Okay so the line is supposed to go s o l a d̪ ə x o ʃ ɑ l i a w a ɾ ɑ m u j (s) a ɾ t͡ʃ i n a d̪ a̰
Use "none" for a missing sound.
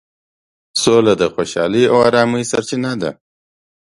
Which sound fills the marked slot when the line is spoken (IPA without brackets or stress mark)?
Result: s